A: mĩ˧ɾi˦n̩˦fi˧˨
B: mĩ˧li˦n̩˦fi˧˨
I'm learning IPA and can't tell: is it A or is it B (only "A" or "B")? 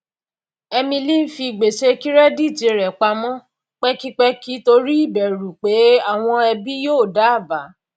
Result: B